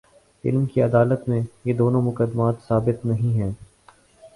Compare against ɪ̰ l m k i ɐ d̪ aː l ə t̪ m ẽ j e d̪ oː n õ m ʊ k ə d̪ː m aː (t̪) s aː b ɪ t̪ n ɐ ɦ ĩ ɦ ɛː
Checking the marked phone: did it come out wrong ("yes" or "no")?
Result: no